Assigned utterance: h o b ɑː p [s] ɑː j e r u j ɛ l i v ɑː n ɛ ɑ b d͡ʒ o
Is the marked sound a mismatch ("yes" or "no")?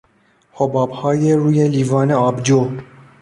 yes